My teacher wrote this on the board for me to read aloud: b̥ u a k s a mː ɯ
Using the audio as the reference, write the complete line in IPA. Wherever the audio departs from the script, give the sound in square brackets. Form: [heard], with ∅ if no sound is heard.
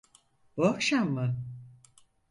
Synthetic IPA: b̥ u a k [ʃ] a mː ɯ